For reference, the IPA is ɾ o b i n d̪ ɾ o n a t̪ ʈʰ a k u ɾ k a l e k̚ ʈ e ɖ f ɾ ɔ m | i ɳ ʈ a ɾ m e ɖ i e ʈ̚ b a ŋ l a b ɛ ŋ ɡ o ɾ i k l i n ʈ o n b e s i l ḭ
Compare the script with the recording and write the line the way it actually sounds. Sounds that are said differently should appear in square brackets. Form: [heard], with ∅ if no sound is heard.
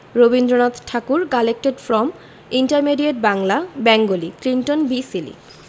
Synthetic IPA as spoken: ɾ o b i n d̪ ɾ o n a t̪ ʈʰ a k u ɾ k a l e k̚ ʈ e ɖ f ɾ ɔ m | i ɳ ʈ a ɾ m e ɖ i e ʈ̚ b a ŋ l a b ɛ ŋ ɡ o [l] i k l i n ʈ o n b [i] s i l ḭ